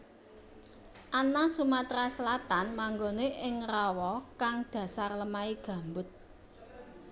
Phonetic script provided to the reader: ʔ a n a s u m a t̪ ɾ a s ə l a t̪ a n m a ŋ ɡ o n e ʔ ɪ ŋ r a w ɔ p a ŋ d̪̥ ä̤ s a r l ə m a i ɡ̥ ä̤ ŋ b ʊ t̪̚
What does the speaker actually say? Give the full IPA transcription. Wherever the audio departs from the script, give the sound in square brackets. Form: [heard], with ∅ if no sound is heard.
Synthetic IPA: ʔ a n a s u m a t̪ ɾ a s ə l a t̪ a n m a ŋ ɡ o n e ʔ ɪ ŋ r a w ɔ [k] a ŋ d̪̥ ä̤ s a r l ə m a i ɡ̥ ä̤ [m] b ʊ t̪̚